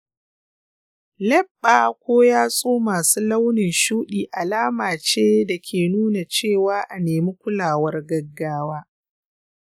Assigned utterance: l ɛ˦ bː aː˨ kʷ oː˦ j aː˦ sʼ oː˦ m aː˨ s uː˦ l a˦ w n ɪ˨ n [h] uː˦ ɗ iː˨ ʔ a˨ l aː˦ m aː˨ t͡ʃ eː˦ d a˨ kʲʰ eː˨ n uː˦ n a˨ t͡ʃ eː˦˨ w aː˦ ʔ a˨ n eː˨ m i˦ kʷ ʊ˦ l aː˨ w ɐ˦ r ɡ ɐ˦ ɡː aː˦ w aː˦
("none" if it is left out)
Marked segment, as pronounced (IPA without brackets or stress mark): ʃ